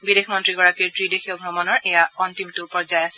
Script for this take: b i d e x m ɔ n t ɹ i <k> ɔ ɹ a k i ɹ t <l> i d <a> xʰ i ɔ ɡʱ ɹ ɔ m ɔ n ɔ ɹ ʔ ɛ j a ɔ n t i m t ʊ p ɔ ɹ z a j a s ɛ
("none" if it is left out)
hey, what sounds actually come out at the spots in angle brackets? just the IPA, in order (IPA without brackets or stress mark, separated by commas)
ɡ, ɹ, e